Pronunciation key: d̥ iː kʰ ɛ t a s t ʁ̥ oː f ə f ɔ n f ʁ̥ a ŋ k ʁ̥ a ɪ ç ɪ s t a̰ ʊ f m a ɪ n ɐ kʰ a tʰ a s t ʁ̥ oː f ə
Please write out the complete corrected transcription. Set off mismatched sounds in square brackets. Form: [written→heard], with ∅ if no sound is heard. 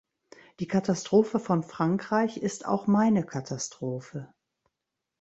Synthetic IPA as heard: d̥ iː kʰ [ɛ→a] t a s t ʁ̥ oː f ə f ɔ n f ʁ̥ a ŋ k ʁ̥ a ɪ ç ɪ s t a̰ ʊ [f→x] m a ɪ n [ɐ→ə] kʰ a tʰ a s t ʁ̥ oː f ə